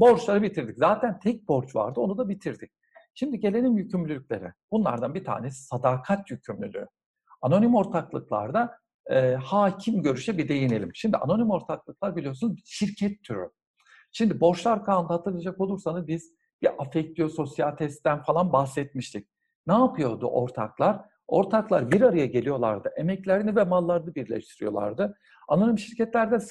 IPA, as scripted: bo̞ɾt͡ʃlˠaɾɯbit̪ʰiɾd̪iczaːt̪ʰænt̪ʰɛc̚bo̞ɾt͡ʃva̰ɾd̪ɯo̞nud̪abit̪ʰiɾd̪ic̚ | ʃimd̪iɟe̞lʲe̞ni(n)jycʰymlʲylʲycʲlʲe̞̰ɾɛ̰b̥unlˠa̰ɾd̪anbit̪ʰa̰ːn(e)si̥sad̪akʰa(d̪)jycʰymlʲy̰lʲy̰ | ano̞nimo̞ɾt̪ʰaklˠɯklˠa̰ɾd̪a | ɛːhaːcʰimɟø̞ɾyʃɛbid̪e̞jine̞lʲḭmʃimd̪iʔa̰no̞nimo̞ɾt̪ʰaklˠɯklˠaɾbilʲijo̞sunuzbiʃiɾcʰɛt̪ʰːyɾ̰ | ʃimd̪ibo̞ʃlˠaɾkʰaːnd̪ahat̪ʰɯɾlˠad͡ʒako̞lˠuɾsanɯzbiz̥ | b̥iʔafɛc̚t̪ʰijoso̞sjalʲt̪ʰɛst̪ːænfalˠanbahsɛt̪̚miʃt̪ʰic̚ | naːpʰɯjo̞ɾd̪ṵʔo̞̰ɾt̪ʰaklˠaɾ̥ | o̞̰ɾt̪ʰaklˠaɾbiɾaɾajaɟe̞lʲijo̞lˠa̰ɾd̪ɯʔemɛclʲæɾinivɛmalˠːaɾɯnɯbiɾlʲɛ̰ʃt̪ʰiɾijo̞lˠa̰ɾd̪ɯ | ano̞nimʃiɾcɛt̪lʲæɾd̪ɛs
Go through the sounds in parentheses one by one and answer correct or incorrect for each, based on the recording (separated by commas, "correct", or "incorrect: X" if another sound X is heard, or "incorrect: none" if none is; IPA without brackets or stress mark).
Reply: incorrect: m, correct, incorrect: t̪